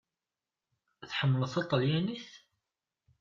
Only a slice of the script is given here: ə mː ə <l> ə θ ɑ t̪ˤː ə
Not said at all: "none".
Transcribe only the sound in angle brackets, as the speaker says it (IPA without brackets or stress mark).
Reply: l